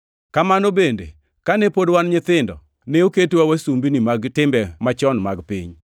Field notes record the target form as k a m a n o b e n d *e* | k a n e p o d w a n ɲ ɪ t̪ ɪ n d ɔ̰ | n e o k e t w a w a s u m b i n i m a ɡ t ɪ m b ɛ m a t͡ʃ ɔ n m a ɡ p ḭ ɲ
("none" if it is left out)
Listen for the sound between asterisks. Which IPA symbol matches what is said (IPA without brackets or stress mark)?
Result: e